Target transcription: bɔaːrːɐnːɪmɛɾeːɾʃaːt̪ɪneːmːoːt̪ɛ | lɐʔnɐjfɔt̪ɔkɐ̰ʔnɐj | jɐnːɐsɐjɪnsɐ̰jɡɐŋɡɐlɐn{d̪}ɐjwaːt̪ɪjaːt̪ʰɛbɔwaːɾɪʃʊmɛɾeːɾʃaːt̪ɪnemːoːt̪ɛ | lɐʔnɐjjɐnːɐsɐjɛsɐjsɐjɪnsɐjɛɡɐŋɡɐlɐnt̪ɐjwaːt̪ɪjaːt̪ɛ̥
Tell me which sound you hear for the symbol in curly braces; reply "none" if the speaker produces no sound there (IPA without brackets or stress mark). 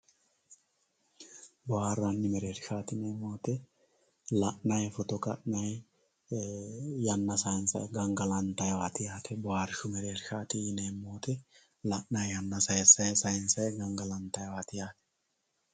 t̪